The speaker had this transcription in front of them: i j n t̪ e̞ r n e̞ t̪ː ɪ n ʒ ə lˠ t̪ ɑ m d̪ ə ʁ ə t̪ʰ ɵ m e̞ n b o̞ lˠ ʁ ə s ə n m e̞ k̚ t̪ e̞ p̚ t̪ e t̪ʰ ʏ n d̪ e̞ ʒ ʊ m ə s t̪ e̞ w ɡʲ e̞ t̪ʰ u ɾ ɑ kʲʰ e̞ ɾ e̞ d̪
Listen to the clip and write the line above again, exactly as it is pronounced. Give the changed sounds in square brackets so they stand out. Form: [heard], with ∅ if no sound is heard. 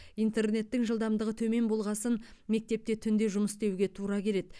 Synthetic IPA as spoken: i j n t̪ e̞ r n e̞ t̪ː ɪ [ŋ] ʒ ə lˠ [d̪] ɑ m d̪ ə ʁ ə t̪ʰ ɵ m e̞ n b o̞ lˠ ʁ [ɑ] s ə n m e̞ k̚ t̪ e̞ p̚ t̪ e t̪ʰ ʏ n d̪ e̞ ʒ ʊ m ə s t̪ e̞ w ɡʲ e̞ t̪ʰ u ɾ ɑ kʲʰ e̞ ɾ e̞ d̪